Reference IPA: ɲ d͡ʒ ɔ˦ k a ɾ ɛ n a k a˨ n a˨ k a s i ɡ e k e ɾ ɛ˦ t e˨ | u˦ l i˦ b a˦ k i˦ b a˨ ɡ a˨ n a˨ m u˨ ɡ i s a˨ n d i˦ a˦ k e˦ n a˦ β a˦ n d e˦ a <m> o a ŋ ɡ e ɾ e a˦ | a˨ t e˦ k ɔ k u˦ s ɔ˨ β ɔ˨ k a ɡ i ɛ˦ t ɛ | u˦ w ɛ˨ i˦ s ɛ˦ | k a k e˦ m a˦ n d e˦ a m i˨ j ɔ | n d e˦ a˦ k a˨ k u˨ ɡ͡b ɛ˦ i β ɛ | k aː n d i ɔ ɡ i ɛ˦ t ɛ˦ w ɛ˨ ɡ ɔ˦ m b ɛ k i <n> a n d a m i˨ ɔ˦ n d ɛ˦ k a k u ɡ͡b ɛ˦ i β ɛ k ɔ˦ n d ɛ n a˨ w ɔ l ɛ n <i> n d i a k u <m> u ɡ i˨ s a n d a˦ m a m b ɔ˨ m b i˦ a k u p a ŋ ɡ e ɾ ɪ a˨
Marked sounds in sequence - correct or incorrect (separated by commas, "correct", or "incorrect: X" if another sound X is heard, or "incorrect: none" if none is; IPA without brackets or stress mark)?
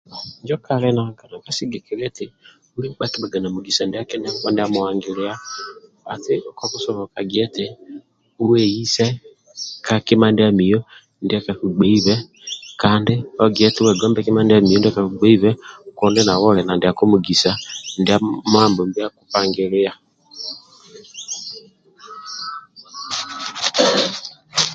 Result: correct, incorrect: m, incorrect: a, correct